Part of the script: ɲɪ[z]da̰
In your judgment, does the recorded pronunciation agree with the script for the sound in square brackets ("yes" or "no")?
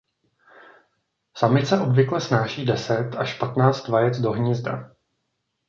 yes